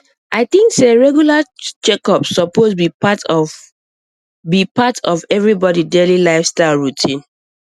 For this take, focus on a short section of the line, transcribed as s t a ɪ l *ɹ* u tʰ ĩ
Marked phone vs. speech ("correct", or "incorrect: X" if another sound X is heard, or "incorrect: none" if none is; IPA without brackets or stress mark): correct